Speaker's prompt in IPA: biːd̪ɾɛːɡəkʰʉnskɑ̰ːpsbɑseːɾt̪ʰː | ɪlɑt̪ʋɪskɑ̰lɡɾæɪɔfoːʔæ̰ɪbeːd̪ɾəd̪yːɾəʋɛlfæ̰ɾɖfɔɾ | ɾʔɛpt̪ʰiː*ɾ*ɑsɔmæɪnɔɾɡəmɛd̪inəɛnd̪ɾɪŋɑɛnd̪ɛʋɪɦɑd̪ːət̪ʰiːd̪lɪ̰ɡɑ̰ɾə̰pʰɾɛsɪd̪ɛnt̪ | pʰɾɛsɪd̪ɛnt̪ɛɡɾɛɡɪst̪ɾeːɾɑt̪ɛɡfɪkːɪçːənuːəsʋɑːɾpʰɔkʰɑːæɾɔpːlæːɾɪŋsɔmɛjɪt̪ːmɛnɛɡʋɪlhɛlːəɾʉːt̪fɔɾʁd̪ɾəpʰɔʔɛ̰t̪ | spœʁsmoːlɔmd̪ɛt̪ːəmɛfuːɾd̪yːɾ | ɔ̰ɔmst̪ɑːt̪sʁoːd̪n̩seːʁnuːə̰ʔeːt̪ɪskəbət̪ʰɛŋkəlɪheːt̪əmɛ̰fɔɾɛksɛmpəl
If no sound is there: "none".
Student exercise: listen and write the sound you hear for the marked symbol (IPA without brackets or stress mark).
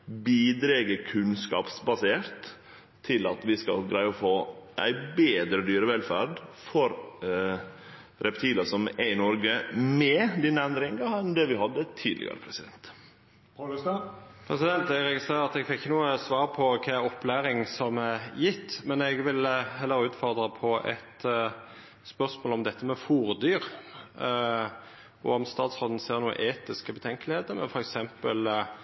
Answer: l